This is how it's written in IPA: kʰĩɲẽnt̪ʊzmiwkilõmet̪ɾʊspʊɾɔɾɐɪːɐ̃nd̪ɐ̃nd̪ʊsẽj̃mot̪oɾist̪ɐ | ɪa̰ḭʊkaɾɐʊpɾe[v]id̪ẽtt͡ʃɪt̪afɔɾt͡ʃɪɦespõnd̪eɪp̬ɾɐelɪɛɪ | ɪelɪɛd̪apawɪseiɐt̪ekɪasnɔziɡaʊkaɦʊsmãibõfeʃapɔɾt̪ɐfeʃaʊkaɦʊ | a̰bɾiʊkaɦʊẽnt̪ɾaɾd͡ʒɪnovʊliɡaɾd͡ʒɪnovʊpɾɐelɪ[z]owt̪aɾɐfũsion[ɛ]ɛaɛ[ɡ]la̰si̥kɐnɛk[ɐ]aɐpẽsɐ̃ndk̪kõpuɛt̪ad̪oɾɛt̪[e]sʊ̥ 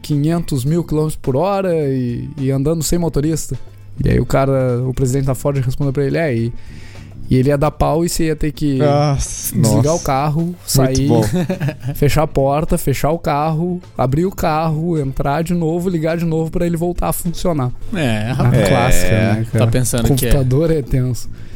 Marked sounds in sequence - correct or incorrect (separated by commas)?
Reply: incorrect, incorrect, incorrect, incorrect, incorrect, incorrect